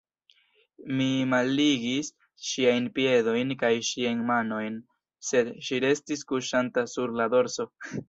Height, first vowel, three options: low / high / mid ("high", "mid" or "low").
high